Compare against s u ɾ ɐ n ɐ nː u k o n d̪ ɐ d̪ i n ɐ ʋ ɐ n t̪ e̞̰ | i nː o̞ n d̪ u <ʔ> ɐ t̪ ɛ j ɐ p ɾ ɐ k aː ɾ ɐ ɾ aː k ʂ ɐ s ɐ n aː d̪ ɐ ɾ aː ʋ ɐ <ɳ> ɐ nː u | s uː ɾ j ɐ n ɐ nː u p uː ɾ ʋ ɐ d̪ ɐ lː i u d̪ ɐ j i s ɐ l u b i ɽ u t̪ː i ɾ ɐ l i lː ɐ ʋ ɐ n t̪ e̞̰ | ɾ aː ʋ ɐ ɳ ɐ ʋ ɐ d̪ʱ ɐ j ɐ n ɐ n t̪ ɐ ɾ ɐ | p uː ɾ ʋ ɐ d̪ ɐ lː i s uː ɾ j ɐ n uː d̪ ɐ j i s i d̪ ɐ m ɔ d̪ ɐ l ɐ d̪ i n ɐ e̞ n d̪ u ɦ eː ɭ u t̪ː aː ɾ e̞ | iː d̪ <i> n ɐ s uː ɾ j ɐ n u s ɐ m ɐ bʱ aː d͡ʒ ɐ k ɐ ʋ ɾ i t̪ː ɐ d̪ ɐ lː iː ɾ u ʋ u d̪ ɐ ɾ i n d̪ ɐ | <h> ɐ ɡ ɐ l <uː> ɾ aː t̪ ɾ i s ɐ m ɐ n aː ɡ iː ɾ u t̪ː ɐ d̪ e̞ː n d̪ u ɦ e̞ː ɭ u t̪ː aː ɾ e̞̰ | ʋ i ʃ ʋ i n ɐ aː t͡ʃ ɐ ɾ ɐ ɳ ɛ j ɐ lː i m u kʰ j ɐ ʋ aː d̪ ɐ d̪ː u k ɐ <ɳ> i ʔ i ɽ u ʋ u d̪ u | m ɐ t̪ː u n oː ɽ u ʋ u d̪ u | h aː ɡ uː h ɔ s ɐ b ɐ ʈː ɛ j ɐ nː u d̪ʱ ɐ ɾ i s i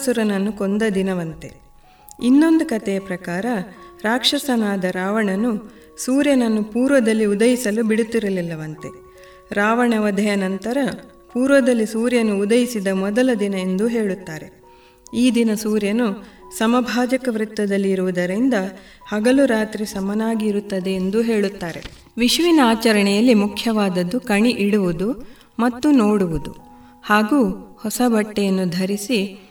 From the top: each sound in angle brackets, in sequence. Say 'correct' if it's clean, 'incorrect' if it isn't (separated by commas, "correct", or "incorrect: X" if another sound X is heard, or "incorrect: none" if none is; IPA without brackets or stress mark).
incorrect: k, correct, correct, correct, incorrect: u, correct